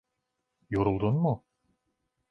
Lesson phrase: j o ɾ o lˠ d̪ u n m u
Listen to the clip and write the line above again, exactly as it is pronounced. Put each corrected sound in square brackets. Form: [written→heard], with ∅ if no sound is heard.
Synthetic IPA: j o ɾ [o→u] lˠ d̪ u n m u